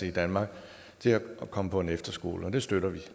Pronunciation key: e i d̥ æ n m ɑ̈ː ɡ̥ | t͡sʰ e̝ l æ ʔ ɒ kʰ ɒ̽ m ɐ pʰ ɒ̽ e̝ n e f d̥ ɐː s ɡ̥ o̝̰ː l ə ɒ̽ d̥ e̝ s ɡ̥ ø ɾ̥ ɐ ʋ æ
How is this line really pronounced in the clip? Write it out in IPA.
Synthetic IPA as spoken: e i d̥ æ n m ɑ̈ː ɡ̥ | t͡sʰ e̝ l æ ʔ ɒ kʰ ɒ̽ m ə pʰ ɒ̽ e̝ n e f d̥ ɐ s ɡ̥ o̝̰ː l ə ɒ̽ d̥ e̝ s d̥ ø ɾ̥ ɐ ʋ i